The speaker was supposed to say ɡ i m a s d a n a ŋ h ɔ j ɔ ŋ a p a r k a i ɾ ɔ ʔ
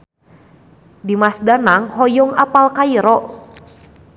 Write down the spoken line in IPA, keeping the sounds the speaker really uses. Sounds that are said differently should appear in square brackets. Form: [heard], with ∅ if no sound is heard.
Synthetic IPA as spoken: [d] i m a s d a n a ŋ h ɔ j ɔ ŋ a p a [l] k a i ɾ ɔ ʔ